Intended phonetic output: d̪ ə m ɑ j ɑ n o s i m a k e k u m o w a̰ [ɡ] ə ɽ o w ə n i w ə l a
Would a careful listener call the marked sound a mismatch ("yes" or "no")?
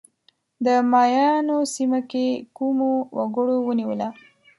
no